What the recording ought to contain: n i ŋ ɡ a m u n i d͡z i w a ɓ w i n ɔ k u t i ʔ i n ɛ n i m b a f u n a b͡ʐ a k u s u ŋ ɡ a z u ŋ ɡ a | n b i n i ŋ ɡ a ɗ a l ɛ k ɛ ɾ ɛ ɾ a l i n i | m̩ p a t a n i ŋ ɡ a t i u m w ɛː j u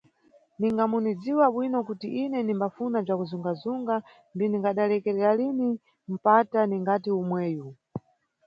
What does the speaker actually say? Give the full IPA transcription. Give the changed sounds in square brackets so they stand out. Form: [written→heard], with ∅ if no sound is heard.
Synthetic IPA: n i ŋ ɡ a m u n i d͡z i w a ɓ w i n ɔ k u t i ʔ i n ɛ n i m b a f u n a b͡ʐ a k u [s→z] u ŋ ɡ a z u ŋ ɡ a | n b i n i ŋ ɡ a ɗ a l ɛ k ɛ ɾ ɛ ɾ a l i n i | m̩ p a t a n i ŋ ɡ a t i u m w ɛː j u